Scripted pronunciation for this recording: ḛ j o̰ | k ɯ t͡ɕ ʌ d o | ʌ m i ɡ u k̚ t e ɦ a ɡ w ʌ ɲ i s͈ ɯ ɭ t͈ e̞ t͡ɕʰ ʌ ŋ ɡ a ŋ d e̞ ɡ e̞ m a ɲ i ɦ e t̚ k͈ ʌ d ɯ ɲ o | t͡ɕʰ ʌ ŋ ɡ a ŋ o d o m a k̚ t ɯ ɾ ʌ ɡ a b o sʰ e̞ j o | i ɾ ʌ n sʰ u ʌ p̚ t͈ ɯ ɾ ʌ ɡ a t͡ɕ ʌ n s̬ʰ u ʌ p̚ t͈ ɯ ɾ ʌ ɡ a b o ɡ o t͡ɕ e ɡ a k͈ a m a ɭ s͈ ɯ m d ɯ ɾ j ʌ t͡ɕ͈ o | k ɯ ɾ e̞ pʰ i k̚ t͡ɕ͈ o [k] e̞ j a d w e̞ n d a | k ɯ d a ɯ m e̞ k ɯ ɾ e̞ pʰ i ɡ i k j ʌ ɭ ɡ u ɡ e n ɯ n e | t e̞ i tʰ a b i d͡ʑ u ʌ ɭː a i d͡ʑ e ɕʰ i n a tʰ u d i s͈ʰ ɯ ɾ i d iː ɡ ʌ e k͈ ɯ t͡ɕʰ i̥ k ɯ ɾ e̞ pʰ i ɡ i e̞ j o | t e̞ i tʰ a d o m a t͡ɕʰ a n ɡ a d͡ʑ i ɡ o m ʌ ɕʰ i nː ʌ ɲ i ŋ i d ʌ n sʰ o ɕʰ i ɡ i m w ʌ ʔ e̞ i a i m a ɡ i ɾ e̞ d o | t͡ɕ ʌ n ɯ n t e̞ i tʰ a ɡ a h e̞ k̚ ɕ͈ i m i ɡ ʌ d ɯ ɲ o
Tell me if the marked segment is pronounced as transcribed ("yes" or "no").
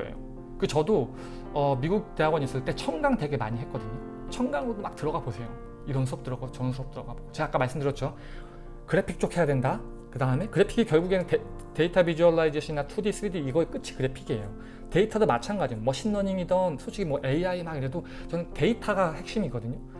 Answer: no